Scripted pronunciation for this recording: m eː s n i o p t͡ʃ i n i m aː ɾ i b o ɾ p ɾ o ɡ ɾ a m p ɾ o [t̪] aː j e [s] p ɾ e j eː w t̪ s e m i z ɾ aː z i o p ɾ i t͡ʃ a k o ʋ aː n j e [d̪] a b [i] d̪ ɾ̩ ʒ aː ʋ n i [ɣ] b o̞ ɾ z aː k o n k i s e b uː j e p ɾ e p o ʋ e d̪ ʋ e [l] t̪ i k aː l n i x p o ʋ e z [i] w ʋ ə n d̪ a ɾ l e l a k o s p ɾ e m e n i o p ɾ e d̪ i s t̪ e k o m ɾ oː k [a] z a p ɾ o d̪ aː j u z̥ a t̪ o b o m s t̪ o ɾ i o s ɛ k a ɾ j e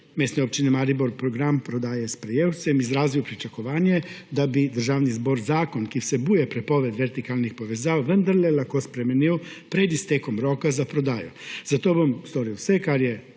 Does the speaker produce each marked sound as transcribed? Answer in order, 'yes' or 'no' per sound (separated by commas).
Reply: no, yes, yes, yes, no, no, no, yes